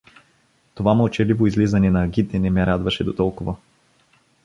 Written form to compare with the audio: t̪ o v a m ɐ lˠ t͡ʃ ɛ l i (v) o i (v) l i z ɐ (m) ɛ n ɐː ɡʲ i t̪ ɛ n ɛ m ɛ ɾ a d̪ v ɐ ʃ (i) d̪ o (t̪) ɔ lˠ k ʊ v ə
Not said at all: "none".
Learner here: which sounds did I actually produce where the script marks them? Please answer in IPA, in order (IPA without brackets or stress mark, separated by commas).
v, z, n, ɛ, t̪